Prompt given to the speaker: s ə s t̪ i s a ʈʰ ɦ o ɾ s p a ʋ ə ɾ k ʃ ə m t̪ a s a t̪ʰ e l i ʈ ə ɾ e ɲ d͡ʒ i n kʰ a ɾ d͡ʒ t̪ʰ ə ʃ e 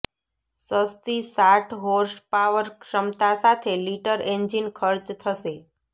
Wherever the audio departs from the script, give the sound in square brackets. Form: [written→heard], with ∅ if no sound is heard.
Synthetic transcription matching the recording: s ə s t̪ i s a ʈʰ ɦ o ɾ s p a ʋ ə ɾ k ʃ ə m t̪ a s a t̪ʰ e l i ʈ ə ɾ e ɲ d͡ʒ i n kʰ [a→ə] ɾ d͡ʒ t̪ʰ ə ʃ e